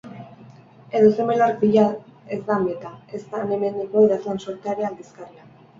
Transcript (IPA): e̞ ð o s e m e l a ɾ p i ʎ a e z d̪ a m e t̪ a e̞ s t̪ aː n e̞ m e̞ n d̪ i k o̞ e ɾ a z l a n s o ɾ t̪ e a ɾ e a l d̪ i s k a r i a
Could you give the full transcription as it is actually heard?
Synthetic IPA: e̞ ð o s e m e l a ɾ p i ʎ a e z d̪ a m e t̪ a e̞ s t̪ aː n e̞ m e̞ n d̪ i k o̞ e ɾ a z l a n s o ɾ t̪ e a ɾ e a l d̪ i s k a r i a

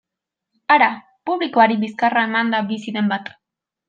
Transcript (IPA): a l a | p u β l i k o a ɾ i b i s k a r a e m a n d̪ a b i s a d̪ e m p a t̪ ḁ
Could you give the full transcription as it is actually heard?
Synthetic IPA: a ɾ a | p u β l i k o a ɾ i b i s k a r a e m a n d̪ a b i s i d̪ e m b a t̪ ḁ

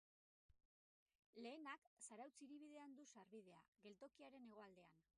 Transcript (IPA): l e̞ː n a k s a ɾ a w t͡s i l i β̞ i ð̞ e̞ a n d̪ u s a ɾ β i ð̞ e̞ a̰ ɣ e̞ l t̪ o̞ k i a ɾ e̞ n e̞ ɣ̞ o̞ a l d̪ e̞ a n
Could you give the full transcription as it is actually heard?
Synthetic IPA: l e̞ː n a k s a ɾ a w t͡s i ɾ i β̞ i ð̞ e̞ a n d̪ u s a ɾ β i ð̞ e̞ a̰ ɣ e̞ l t̪ o̞ k i a ɾ e̞ n e̞ ɣ̞ o̞ a l d̪ e̞ a n

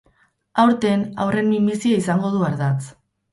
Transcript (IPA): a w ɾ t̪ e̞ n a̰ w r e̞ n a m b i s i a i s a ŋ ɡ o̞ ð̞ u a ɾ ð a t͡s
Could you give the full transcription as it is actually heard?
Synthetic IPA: a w ɾ t̪ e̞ n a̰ w r e̞ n i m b i s i a i s a ŋ ɡ o̞ ð̞ u a ɾ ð a t͡s

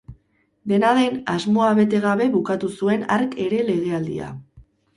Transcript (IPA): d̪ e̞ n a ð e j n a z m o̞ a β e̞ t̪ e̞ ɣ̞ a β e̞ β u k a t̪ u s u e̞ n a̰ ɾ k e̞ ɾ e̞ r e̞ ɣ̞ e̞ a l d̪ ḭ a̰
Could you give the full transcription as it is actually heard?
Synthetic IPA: d̪ e̞ n a ð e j n a z m o̞ a β e̞ t̪ e̞ ɣ̞ a β e̞ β u k a t̪ u s u e̞ n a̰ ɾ k e̞ ɾ e̞ l e̞ ɣ̞ e̞ a l d̪ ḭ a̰

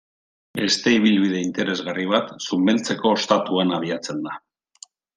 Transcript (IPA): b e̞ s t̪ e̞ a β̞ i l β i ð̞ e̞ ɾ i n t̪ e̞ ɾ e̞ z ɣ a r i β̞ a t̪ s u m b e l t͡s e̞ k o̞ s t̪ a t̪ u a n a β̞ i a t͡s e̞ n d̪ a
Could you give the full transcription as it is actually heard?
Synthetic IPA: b e̞ s t̪ e̞ i β̞ i l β i ð̞ e̞ i n t̪ e̞ ɾ e̞ z ɣ a r i β̞ a t̪ s u m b e l t͡s e̞ k o̞ s t̪ a t̪ u a n a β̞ i a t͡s e̞ n d̪ a

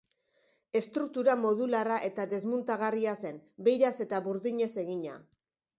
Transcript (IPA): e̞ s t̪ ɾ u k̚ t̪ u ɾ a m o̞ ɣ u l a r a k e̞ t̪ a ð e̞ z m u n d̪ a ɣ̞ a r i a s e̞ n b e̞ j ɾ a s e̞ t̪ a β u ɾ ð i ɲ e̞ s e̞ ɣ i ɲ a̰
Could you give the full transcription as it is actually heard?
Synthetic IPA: e̞ s t̪ ɾ u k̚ t̪ u ɾ a m o̞ ð u l a r a ʔ e̞ t̪ a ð e̞ z m u n t̪ a ɣ̞ a r i a s e̞ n b e̞ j ɾ a s e̞ t̪ a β u ɾ ð i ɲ e̞ s e̞ ɣ i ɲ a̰

